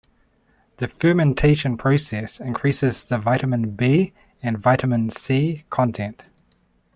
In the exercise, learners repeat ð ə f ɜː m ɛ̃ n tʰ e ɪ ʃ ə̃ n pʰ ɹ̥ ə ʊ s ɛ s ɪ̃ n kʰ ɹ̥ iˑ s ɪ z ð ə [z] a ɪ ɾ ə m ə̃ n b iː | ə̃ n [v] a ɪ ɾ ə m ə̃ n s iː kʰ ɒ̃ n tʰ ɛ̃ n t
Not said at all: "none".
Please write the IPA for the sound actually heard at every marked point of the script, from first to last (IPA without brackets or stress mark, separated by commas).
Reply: v, v